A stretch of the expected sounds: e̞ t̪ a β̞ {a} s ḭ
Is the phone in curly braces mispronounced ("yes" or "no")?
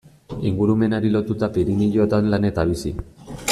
yes